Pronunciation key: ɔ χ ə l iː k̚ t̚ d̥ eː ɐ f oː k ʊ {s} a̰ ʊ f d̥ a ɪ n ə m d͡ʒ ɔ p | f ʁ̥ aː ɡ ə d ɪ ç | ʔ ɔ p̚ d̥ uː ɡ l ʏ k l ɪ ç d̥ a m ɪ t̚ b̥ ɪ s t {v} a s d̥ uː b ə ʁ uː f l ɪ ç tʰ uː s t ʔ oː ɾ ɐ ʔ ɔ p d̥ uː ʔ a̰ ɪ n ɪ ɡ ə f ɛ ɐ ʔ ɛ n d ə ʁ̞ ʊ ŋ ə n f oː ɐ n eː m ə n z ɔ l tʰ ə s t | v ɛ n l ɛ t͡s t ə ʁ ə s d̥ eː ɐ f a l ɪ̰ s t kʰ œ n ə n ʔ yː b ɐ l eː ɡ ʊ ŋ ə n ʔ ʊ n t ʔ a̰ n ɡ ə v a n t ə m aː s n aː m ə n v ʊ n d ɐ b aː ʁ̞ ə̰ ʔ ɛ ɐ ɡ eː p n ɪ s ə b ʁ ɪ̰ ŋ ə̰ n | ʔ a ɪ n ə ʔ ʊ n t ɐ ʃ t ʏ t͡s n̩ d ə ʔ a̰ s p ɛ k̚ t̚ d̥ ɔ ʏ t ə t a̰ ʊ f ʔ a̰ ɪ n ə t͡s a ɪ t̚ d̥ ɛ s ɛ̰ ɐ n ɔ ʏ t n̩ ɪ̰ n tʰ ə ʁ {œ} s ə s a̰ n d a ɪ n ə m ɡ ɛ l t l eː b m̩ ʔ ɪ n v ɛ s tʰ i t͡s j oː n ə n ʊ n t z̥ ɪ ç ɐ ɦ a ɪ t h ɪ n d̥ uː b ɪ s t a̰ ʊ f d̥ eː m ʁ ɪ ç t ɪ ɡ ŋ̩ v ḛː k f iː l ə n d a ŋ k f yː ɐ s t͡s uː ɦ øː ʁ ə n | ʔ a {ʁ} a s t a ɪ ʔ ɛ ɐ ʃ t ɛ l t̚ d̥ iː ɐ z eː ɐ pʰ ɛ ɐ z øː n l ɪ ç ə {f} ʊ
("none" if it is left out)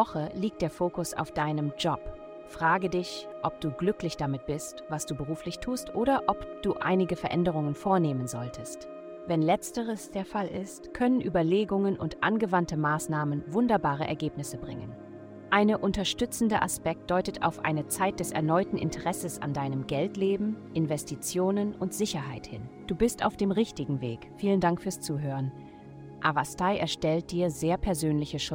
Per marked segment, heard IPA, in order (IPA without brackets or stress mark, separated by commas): s, v, ɛ, v, ʃ